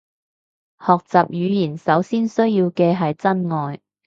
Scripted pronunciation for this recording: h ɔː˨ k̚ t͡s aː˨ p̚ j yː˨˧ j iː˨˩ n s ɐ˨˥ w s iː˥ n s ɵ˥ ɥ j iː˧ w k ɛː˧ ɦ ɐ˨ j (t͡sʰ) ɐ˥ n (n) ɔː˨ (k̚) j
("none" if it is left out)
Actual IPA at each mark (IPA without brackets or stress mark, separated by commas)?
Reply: t͡s, ŋ, none